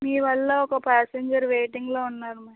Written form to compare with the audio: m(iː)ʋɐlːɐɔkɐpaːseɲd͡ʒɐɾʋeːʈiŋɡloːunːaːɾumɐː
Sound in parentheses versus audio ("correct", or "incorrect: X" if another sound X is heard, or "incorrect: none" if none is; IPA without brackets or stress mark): correct